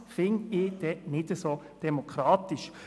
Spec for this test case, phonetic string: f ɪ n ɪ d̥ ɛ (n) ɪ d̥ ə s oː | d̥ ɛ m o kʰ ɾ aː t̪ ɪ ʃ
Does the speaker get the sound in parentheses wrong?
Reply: no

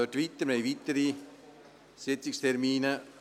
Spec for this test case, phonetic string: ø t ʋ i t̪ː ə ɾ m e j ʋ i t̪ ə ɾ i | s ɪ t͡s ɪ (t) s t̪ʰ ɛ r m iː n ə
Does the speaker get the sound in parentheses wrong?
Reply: yes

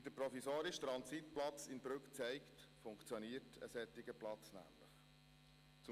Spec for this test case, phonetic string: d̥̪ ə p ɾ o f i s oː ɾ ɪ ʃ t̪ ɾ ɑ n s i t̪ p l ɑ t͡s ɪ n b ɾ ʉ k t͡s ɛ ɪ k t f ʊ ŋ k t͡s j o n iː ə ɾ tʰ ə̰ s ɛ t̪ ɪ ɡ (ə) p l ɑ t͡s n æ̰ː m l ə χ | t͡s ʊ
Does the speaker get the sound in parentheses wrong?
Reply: no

